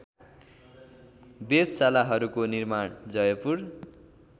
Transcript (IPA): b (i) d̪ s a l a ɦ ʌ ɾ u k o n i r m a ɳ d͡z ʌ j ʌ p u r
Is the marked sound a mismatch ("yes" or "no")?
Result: yes